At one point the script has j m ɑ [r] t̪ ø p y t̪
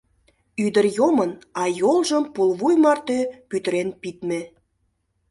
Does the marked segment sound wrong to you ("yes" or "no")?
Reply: no